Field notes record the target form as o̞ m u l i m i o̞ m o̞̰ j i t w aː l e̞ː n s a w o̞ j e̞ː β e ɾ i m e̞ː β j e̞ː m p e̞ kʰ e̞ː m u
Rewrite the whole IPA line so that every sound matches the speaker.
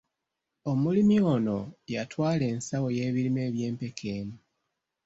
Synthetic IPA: o̞ m u l i m i o̞ n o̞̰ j a t w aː l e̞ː n s a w o̞ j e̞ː β i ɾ i m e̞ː β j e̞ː m p e̞ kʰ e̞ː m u